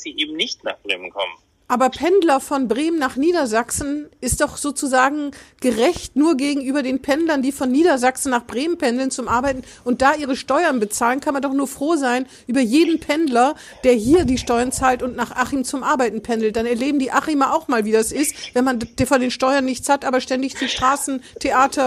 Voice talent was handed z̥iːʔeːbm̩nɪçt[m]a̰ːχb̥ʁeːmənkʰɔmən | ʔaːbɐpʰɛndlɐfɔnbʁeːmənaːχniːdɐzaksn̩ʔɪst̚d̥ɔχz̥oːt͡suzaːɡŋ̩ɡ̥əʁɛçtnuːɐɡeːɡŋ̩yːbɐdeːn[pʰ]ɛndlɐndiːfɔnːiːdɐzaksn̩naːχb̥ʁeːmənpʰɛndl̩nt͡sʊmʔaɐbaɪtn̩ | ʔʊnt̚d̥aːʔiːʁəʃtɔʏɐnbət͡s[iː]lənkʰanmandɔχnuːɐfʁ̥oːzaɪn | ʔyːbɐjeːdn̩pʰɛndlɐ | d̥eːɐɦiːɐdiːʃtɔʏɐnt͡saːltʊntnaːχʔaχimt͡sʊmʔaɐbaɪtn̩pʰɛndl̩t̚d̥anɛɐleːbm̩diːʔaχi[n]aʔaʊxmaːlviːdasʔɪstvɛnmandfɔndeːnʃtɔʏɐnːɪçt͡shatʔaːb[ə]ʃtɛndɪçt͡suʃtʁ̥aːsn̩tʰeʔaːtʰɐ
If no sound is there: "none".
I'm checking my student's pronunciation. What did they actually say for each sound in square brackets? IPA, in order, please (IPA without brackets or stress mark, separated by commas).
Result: n, pʰ, aː, m, ɐ